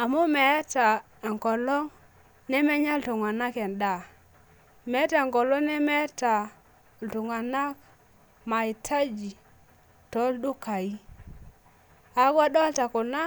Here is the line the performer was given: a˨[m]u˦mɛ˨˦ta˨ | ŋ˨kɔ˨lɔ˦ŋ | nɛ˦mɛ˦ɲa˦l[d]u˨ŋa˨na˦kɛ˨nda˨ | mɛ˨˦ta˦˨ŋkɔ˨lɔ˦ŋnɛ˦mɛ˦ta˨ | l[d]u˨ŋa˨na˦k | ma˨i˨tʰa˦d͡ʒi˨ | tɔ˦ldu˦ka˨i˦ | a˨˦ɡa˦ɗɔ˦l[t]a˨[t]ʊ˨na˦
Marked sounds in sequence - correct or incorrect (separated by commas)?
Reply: correct, incorrect, incorrect, correct, incorrect